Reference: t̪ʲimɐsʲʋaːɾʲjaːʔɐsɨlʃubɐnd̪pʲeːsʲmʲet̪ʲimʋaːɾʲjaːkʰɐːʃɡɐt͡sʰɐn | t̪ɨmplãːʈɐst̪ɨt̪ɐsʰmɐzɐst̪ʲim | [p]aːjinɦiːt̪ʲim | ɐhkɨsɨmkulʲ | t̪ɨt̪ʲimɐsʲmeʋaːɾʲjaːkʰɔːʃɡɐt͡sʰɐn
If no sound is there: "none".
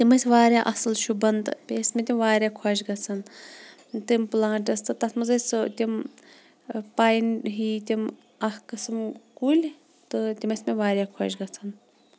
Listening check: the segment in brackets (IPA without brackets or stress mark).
p